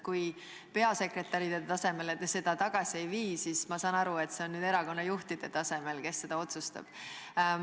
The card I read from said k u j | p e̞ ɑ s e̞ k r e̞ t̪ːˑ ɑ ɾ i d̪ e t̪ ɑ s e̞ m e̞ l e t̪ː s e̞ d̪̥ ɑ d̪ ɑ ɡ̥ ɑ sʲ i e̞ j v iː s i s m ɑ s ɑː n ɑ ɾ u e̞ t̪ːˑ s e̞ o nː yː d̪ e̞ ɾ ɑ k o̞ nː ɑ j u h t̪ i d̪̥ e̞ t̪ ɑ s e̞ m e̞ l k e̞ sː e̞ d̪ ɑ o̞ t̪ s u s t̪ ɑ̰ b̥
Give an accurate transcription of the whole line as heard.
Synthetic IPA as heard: k u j | p e̞ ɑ s e̞ k r e̞ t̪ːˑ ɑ ɾ i d̪ e t̪ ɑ s e̞ m e̞ l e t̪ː s e̞ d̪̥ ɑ t̪ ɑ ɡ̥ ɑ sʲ i e̞ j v iː s i s m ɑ s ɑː n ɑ ɾ u e̞ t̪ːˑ s e̞ o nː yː d̪ e̞ ɾ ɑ k o̞ nː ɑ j u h t̪ i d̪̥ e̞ t̪ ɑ s e̞ m e̞ l k e̞ sː e̞ d̪ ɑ o̞ t̪ s u s t̪ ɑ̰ b̥